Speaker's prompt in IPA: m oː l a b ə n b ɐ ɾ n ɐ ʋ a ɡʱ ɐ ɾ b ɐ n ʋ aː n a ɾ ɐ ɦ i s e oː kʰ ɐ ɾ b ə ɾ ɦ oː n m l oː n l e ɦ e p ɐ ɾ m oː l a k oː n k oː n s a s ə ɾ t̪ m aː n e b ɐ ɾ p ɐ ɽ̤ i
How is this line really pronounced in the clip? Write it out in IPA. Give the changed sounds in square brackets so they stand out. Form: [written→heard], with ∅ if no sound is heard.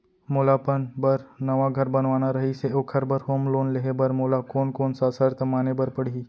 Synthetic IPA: m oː l a [b→p] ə n b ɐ ɾ n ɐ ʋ a ɡʱ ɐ ɾ b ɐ n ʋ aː n a ɾ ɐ ɦ i s e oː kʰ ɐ ɾ b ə ɾ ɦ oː [n→∅] m l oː n l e ɦ e [p→b] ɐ ɾ m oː l a k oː n k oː n s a s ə ɾ t̪ m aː n e b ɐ ɾ p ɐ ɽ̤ i